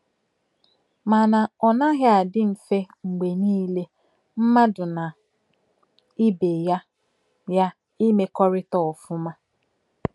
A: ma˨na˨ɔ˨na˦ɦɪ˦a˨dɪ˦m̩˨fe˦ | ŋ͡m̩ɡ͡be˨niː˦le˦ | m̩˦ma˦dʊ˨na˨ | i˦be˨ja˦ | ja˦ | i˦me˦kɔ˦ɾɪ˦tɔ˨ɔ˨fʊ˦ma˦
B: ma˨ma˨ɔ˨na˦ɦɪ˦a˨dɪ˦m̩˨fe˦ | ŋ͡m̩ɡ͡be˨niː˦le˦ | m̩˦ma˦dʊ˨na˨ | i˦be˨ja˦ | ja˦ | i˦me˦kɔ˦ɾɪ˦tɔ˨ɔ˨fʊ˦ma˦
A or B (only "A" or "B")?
A